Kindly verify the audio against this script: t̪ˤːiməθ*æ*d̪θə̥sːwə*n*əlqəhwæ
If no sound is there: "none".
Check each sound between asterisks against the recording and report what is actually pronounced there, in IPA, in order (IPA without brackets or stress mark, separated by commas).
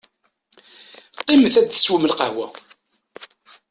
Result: æ, m